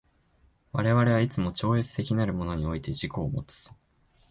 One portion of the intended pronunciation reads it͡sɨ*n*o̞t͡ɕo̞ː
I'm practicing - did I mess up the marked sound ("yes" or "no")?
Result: yes